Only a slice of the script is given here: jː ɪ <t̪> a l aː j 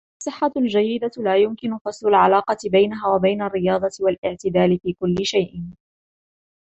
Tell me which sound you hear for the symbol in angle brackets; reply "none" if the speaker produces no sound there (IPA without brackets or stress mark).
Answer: d̪